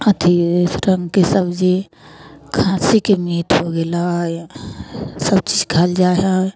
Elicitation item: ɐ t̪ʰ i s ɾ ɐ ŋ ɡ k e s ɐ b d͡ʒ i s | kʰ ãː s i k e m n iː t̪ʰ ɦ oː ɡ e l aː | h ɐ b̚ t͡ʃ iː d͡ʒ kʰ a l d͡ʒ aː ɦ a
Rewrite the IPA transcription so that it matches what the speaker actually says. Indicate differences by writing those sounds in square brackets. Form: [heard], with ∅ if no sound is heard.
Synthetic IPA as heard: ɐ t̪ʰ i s ɾ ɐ ŋ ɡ k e s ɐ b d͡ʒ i [∅] | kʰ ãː s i k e m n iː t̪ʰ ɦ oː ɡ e l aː | [s] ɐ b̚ t͡ʃ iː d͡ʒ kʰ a l d͡ʒ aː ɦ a

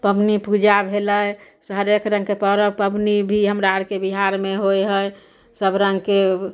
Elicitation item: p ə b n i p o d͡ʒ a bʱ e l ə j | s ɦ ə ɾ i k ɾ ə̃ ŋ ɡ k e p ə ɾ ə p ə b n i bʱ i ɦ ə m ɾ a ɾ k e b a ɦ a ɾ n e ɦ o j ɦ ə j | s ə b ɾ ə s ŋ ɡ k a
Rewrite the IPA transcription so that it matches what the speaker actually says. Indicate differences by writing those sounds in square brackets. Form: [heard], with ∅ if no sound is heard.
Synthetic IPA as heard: p ə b n i p [u] d͡ʒ a bʱ e l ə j | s ɦ ə ɾ [e] k ɾ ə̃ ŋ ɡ k e p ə ɾ ə p ə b n i bʱ i ɦ ə m ɾ a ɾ k e b [i] ɦ a ɾ [m] e ɦ o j ɦ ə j | s ə b ɾ ə [∅] ŋ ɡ k [e]

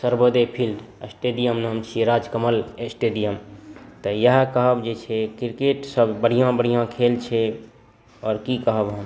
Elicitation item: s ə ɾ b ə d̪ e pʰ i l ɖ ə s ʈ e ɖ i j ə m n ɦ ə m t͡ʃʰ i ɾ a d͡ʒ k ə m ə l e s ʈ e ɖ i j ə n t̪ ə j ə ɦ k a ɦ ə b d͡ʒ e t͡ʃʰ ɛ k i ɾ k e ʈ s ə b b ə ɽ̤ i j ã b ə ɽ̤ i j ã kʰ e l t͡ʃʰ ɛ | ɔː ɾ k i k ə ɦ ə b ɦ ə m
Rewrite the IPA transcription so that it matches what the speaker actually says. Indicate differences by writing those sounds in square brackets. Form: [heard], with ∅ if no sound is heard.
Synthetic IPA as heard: s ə ɾ b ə d̪ e pʰ i l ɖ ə s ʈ e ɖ i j ə m n ɦ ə m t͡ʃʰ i ɾ a d͡ʒ k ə m ə l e s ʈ e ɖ i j ə [m] t̪ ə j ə ɦ k [ə] ɦ ə b d͡ʒ e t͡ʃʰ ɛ k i ɾ k e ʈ s ə b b ə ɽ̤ i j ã b ə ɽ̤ i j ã kʰ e l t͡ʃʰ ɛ | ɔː ɾ k i k ə ɦ ə b ɦ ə m

